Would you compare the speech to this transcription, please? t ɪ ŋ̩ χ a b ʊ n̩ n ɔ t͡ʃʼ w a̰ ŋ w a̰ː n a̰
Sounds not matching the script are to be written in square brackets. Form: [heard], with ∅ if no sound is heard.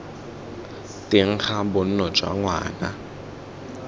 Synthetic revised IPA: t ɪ ŋ̩ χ a b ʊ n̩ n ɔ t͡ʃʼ w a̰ ŋ w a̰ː n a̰